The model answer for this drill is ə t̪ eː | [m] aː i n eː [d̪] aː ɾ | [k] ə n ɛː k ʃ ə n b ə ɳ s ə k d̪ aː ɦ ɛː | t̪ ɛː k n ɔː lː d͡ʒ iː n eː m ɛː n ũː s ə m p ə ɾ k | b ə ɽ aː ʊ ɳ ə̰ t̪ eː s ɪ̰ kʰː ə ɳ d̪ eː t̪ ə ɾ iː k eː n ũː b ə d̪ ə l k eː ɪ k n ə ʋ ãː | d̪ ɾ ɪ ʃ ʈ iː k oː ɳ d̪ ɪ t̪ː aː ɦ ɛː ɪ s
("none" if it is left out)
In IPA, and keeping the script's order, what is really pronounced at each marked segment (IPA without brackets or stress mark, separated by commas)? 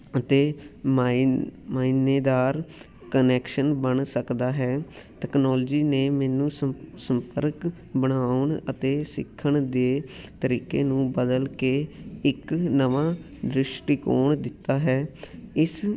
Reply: m, d̪, k